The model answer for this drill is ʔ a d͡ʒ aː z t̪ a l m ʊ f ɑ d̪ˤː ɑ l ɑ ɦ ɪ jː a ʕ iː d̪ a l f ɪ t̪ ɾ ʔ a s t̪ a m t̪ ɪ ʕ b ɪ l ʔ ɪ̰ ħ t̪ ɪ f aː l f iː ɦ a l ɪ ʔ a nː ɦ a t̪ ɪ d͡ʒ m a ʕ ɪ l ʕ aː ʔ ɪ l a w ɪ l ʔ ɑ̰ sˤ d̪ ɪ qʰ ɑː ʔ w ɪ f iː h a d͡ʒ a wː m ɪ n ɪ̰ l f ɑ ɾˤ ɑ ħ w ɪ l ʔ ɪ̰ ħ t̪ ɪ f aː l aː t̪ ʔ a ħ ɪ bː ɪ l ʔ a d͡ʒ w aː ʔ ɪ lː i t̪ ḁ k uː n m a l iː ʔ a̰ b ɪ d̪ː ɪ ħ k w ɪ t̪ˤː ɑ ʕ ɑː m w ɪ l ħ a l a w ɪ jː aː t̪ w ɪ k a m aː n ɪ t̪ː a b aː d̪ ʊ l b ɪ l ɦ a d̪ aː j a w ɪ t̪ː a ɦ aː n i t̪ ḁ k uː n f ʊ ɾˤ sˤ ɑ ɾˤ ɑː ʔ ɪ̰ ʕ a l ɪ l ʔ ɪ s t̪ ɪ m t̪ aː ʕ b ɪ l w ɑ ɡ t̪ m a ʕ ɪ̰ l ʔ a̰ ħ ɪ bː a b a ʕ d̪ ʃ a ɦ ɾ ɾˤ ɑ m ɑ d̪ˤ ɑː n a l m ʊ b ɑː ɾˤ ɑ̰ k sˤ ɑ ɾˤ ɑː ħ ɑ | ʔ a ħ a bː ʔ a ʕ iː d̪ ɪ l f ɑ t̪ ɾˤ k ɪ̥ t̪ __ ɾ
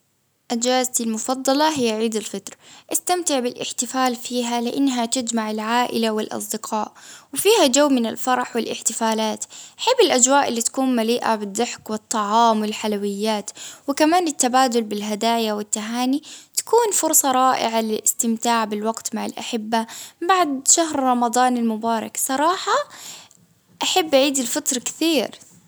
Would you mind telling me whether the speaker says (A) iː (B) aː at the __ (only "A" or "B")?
A